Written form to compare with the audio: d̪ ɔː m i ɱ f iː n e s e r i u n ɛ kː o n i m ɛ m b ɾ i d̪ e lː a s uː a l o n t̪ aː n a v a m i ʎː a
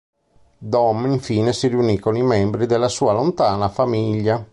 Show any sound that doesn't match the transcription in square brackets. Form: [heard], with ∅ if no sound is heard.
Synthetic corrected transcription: d̪ [ɔ] m i ɱ f iː n e s [i] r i u n [i] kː o n i m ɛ m b ɾ i d̪ e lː a s uː a l o n t̪ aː n a [f] a m i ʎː a

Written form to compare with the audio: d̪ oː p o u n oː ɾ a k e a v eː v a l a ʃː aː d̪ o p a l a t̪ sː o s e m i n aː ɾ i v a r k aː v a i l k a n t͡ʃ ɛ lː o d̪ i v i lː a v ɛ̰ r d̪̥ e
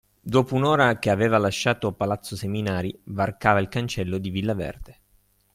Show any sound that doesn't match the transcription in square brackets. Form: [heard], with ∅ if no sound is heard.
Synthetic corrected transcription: d̪ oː p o u n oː ɾ a k e a v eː v a l a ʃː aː [t̪] o p a l a t̪ sː o s e m i n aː ɾ i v a r k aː v a i l k a n t͡ʃ ɛ lː o d̪ i v i lː a v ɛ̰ r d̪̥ e

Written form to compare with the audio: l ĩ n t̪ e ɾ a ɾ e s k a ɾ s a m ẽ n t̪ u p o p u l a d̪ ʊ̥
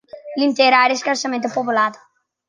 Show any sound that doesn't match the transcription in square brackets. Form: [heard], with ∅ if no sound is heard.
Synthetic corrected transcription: l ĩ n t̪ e ɾ a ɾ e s k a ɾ s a m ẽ n t̪ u p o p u l a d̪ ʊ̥

